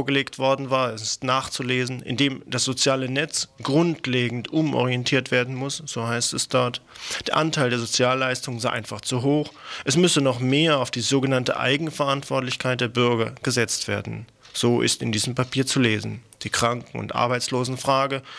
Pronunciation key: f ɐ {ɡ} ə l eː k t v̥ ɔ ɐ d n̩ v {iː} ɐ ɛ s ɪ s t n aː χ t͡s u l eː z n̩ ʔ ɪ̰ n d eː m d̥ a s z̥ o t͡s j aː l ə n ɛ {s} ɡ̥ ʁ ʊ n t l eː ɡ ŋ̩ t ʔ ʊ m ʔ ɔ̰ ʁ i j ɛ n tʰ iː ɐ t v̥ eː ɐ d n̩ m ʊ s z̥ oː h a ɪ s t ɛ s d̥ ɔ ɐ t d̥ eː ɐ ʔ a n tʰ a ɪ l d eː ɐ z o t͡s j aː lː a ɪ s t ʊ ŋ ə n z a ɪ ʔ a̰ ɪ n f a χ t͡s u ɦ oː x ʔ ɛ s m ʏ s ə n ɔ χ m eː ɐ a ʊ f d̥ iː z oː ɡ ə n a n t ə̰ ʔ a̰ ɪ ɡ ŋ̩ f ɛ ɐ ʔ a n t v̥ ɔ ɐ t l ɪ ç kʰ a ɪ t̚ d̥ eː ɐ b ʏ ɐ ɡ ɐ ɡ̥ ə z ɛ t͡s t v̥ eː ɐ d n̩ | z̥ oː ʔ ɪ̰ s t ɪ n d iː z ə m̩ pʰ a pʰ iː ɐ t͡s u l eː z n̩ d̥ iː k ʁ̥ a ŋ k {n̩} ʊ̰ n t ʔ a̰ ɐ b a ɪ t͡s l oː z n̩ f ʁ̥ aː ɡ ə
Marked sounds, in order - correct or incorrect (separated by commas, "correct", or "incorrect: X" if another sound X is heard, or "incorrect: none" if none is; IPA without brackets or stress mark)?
correct, incorrect: aː, incorrect: t͡s, incorrect: ŋ̩